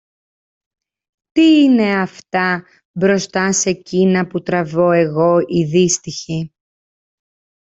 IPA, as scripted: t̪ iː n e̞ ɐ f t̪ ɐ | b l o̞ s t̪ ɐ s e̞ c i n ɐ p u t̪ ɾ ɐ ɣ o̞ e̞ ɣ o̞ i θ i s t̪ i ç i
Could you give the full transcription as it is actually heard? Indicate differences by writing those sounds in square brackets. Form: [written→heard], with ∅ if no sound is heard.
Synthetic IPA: t̪ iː n e̞ ɐ f t̪ ɐ | b [l→ɾ] o̞ s t̪ ɐ s e̞ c i n ɐ p u t̪ ɾ ɐ [ɣ→v] o̞ e̞ ɣ o̞ i [θ→ð] i s t̪ i ç i